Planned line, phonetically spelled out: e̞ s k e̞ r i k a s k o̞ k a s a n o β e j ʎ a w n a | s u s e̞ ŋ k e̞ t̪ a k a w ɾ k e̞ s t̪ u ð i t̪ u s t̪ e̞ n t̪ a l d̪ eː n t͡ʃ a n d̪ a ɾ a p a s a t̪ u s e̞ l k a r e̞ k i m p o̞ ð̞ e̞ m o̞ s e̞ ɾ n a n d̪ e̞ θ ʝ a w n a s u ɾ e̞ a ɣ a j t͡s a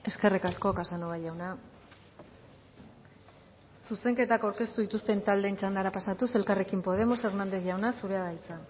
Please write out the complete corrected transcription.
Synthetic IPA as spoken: e̞ s k e̞ r i k a s k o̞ k a s a n o β a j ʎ a w n a | s u s e̞ ŋ k e̞ t̪ a k a w ɾ k e̞ s t̪ u ð i t̪ u s t̪ e̞ n t̪ a l d̪ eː n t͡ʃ a n d̪ a ɾ a p a s a t̪ u s e̞ l k a r e̞ k i m p o̞ ð̞ e̞ m o̞ s e̞ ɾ n a n d̪ e̞ θ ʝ a w n a s u ɾ e̞ a ð a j t͡s a

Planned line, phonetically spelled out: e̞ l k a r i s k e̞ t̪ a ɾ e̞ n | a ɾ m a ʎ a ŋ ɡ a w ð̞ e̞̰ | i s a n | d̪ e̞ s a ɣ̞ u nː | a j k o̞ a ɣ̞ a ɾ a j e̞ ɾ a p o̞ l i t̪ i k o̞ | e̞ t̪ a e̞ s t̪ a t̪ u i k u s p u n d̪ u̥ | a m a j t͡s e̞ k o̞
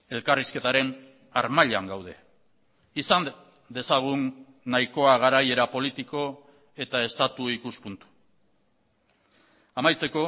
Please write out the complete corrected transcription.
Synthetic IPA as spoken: e̞ l k a r i s k e̞ t̪ a ɾ e̞ n | a ɾ m a ʎ a ŋ ɡ a w ð̞ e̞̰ | i s a n | d̪ e̞ s a ɣ̞ u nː | a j k o̞ a ɣ̞ a ɾ a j e̞ ɾ a p o̞ l i t̪ i k o̞ | e̞ t̪ a e̞ s t̪ a t̪ u i k u s p u n t̪ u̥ | a m a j t͡s e̞ k o̞

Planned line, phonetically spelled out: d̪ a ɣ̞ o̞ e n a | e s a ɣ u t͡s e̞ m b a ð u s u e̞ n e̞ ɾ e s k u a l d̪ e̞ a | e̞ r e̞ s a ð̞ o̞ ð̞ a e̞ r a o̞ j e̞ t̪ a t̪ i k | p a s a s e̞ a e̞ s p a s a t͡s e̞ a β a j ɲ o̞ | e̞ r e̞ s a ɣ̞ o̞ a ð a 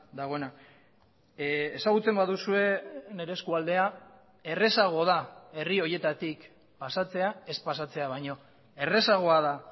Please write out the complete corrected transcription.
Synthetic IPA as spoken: d̪ a ɣ̞ o̞ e n a | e s a ɣ u t͡s e̞ m b a ð u s u e̞ n e̞ ɾ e s k u a l d̪ e̞ a | e̞ r e̞ s a ɣ̞ o̞ ð̞ a e̞ r i o̞ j e̞ t̪ a t̪ i k | p a s a t͡s e̞ a e̞ s p a s a t͡s e̞ a β a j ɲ o̞ | e̞ r e̞ s a ɣ̞ o̞ a ð a

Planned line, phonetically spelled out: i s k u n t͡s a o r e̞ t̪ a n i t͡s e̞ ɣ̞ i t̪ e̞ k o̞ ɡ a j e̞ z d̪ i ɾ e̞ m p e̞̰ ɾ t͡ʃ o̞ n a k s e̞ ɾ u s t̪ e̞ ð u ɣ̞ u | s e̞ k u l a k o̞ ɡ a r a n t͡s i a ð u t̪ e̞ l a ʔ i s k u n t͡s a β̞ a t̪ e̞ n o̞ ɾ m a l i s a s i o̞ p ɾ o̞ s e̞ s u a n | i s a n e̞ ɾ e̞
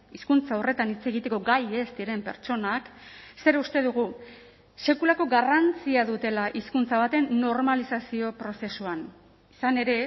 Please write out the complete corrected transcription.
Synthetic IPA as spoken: i s k u n t͡s a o r e̞ t̪ a n i t͡s e̞ ɣ̞ i t̪ e̞ k o̞ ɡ a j e̞ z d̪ i ɾ e̞ m p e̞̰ ɾ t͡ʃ o̞ n a k s e̞ ɾ u s t̪ e̞ ð u ɣ̞ u | s e̞ k u l a k o̞ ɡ a r a n t͡s i a ð u t̪ e̞ l a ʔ i s k u n t͡s a β̞ a t̪ e̞ nː o̞ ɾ m a l i s a s i o̞ p ɾ o̞ s e̞ s u a n | i s a n e̞ ɾ e̞

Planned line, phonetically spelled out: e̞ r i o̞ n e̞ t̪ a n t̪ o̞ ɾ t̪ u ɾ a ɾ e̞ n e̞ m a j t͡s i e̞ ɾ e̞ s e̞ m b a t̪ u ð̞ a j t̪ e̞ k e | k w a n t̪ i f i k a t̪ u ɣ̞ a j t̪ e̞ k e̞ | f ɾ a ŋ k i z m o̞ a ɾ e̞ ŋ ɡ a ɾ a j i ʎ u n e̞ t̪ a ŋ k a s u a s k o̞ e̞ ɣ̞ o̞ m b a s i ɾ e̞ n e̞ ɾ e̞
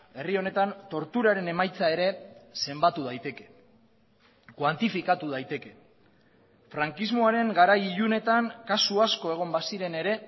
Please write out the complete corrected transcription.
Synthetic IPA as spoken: e̞ r i o̞ n e̞ t̪ a n t̪ o̞ ɾ t̪ u ɾ a ɾ e̞ n e̞ m a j t͡s a e̞ ɾ e̞ s e̞ m b a t̪ u ð̞ a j t̪ e̞ k e | k w a n t̪ i f i k a t̪ u ð̞ a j t̪ e̞ k e̞ | f ɾ a ŋ k i z m o̞ a ɾ e̞ ŋ ɡ a ɾ a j i ʎ u n e̞ t̪ a ŋ k a s u a s k o̞ e̞ ɣ̞ o̞ m b a s i ɾ e̞ n e̞ ɾ e̞

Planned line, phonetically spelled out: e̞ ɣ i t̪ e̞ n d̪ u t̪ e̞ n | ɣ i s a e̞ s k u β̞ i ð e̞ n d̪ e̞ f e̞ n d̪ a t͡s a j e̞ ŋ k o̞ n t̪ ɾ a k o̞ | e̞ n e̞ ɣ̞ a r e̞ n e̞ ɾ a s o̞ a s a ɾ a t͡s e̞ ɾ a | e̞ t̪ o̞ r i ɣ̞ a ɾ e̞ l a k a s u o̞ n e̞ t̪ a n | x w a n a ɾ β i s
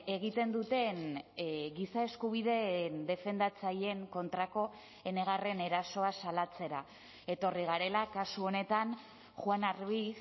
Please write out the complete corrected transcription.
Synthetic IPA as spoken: e̞ ɣ i t̪ e̞ n d̪ u t̪ e̞ n | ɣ i s a e̞ s k u β̞ i ð e̞ n d̪ e̞ f e̞ n d̪ a t͡s a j e̞ ŋ k o̞ n t̪ ɾ a k o̞ | e̞ n e̞ ɣ̞ a r e̞ n e̞ ɾ a s o̞ a s a l a t͡s e̞ ɾ a | e̞ t̪ o̞ r i ɣ̞ a ɾ e̞ l a k a s u o̞ n e̞ t̪ a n | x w a n a ɾ β i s

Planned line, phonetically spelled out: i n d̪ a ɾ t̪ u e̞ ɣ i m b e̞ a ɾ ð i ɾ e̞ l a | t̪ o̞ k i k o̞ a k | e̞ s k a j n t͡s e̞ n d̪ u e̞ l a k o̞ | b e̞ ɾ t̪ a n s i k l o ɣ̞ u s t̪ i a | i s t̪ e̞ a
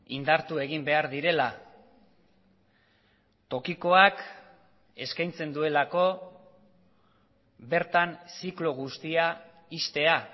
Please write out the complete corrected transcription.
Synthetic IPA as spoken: i n d̪ a ɾ t̪ u e̞ ɣ i m b e̞ a ɾ ð i ɾ e̞ l a | t̪ o̞ k i k o̞ a k | e̞ s k a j n t͡s e̞ n d̪ u e̞ l a k o̞ | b e̞ ɾ t̪ a n s i k l o ɣ̞ u s t̪ i a | i s t̪ e̞ a

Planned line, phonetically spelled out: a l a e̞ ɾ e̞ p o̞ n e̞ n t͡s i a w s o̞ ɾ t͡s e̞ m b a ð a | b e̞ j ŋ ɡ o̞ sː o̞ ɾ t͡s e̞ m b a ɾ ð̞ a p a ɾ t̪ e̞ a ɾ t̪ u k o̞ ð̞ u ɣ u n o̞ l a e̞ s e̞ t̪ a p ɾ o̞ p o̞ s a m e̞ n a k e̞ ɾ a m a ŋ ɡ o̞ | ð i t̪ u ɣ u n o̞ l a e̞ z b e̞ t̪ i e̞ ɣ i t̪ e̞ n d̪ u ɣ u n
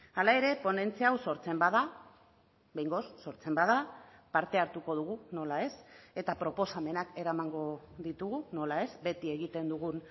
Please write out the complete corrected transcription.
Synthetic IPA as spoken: a l a e̞ ɾ e̞ p o̞ n e̞ n t͡s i a w s o̞ ɾ t͡s e̞ m b a ð a | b e̞ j ŋ ɡ o̞ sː o̞ ɾ t͡s e̞ m b a ð̞ a p a ɾ t̪ e̞ a ɾ t̪ u k o̞ ð̞ u ɣ u n o̞ l a e̞ s e̞ t̪ a p ɾ o̞ p o̞ s a m e̞ n a k e̞ ɾ a m a ŋ ɡ o̞ | ð i t̪ u ɣ u n o̞ l a e̞ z b e̞ t̪ i e̞ ɣ i t̪ e̞ n d̪ u ɣ u n

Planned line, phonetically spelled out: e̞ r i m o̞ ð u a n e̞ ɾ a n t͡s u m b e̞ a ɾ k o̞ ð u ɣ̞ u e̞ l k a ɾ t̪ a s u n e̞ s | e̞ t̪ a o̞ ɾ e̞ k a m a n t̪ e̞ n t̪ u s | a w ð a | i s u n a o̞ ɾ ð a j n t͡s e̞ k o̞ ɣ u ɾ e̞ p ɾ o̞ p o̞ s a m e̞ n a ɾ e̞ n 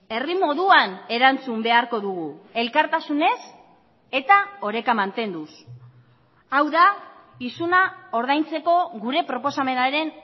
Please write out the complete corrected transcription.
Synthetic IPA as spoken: e̞ r i m o̞ ð u a n e̞ ɾ a n t͡s u m b e̞ a ɾ k o̞ ð u ɣ̞ u e̞ l k a ɾ t̪ a s u n e̞ s | e̞ t̪ a o̞ ɾ e̞ k a m a n t̪ e̞ n d̪ u s | a w ð a | i s u n a o̞ ɾ ð a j n t͡s e̞ k o̞ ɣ u ɾ e̞ p ɾ o̞ p o̞ s a m e̞ n a ɾ e̞ n

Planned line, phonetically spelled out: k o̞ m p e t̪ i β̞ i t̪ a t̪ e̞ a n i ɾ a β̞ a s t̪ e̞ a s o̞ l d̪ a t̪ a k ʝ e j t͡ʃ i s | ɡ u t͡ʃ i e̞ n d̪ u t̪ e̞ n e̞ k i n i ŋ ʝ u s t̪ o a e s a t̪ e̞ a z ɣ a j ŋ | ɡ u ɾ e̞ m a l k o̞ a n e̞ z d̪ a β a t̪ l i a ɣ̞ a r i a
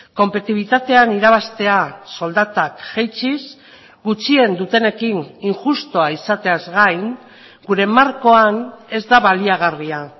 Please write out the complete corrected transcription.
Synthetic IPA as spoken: k o̞ m p e t̪ i β̞ i t̪ a t̪ e̞ a n i ɾ a β̞ a s t̪ e̞ a s o̞ l d̪ a t̪ a k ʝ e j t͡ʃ i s | ɡ u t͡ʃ i e̞ n d̪ u t̪ e̞ n e̞ k i n i ŋ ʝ u s t̪ o a i s a t̪ e̞ a z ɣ a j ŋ | ɡ u ɾ e̞ m a ɾ k o̞ a n e̞ z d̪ a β a l i a ɣ̞ a r i a

